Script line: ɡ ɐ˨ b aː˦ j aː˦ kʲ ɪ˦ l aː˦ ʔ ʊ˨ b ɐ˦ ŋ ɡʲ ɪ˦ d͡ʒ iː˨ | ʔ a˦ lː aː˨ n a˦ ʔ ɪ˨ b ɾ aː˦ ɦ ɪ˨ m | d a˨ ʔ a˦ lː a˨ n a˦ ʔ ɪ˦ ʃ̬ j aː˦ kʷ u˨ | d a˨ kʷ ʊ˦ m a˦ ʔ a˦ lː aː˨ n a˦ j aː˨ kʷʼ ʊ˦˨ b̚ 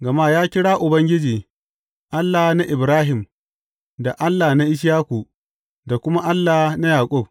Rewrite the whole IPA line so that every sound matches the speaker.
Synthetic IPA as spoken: ɡ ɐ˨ m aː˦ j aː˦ kʲ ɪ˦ ɽ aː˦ ʔ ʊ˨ b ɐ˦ ŋ ɡʲ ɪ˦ d͡ʒ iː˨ | ʔ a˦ lː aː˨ n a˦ ʔ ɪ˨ b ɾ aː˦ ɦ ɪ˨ m | d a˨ ʔ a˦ lː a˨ n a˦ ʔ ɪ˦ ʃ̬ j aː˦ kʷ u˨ | d a˨ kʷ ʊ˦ m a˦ ʔ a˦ lː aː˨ n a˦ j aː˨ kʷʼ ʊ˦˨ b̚